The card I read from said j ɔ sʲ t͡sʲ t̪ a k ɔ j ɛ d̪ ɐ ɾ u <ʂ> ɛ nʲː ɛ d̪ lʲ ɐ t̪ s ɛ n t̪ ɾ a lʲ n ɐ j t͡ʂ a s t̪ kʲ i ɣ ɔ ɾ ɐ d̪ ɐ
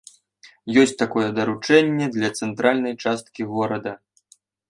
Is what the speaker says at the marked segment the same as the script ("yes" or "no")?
no